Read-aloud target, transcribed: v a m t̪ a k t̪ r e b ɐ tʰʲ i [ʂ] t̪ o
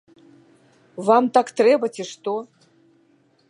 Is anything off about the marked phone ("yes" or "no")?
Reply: no